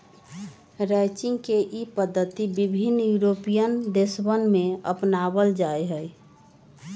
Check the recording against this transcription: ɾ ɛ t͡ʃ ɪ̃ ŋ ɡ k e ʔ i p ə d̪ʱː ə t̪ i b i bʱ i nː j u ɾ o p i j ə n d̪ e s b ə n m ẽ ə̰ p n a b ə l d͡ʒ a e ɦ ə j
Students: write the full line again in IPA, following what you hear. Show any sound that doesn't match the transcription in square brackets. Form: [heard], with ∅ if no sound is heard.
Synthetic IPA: ɾ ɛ t͡ʃ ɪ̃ ŋ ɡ k e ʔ i p ə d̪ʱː ə t̪ i b i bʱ i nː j u ɾ o p i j ə n d̪ e s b ə n m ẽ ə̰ p n a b ə l d͡ʒ a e ɦ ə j